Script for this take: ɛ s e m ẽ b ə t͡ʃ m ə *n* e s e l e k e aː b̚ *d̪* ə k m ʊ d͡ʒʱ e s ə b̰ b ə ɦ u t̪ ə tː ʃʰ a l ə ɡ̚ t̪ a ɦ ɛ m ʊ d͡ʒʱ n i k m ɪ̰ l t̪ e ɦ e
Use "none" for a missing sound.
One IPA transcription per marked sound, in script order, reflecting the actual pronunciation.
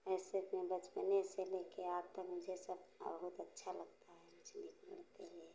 n, t̪

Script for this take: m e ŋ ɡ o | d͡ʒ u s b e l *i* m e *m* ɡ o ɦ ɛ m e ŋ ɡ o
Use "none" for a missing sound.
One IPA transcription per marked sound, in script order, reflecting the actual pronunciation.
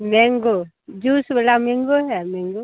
a, ŋ

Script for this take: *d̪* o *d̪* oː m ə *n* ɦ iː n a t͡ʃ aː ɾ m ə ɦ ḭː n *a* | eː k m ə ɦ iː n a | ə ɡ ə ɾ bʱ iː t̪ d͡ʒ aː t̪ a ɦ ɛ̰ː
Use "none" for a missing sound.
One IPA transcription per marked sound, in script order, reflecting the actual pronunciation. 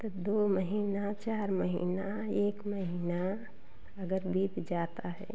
t̪, d̪, none, a

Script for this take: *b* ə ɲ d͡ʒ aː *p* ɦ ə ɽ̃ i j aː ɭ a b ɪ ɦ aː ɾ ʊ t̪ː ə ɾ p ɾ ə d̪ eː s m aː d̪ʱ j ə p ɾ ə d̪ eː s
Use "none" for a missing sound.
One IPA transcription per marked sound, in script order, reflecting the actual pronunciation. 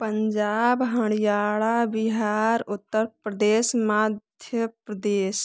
p, b

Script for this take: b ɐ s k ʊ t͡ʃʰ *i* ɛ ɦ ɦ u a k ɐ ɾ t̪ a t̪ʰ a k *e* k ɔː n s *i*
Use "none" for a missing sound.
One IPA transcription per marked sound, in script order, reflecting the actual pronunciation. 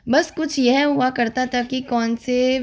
j, i, e

